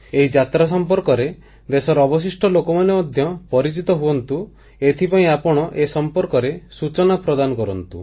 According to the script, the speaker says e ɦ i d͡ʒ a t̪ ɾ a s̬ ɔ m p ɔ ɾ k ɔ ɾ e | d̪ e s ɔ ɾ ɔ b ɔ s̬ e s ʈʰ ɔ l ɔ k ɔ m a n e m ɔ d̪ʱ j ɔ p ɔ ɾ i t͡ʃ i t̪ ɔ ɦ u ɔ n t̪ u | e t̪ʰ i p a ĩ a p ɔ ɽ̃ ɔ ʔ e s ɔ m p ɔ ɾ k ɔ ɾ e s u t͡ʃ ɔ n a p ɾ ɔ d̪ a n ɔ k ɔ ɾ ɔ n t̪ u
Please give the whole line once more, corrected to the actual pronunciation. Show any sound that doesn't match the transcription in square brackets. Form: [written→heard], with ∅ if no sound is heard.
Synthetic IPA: e ɦ i d͡ʒ a t̪ ɾ a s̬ ɔ m p ɔ ɾ k ɔ ɾ e | d̪ e s ɔ ɾ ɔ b ɔ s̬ [e→i] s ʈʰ ɔ l [ɔ→o] k ɔ m a n e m ɔ d̪ʱ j ɔ p ɔ ɾ i t͡ʃ i t̪ ɔ ɦ u ɔ n t̪ u | e t̪ʰ i p a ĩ a p ɔ ɽ̃ ɔ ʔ e s ɔ m p ɔ ɾ k ɔ ɾ e s u t͡ʃ ɔ n a p ɾ ɔ d̪ a n ɔ k ɔ ɾ ɔ n t̪ u